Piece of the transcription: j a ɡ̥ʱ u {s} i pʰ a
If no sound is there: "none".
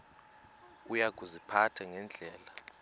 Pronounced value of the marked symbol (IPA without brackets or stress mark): z